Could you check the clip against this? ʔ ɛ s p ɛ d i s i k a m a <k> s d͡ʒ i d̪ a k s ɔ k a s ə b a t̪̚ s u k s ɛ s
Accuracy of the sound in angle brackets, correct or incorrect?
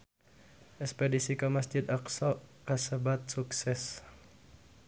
incorrect